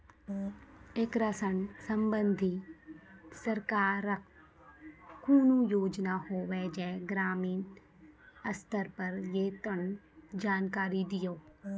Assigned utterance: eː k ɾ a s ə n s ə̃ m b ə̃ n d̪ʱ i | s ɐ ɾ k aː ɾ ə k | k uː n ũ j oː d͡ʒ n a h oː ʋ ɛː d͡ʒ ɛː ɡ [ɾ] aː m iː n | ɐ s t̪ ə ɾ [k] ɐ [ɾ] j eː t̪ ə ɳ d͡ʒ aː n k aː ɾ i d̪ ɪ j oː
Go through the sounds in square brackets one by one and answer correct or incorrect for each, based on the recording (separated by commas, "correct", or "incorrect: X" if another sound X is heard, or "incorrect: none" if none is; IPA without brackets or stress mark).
correct, incorrect: p, correct